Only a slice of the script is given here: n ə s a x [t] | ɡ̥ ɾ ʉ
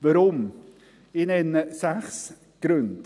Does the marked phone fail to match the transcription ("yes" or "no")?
yes